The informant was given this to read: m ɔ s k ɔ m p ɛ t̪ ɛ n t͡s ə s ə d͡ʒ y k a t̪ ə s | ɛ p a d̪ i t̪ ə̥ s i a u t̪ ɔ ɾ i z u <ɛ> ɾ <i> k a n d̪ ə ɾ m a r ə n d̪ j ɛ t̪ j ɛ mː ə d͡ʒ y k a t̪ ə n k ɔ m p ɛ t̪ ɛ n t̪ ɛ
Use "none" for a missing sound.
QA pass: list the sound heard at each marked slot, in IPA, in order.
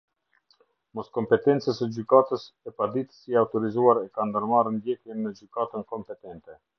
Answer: a, ɛ

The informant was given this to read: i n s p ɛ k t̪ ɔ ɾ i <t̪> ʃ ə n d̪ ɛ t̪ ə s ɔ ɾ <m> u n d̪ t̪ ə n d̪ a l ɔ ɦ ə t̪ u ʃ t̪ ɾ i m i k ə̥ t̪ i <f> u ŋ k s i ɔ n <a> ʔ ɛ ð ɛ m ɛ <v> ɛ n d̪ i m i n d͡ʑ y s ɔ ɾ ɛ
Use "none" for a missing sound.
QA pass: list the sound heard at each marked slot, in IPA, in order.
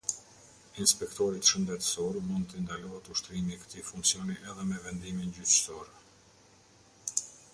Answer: t̪, m, f, i, v

